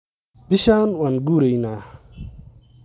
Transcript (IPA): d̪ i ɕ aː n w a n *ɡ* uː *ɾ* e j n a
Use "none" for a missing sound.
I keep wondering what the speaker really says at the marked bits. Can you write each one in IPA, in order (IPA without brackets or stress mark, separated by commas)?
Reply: ɡ, ɾ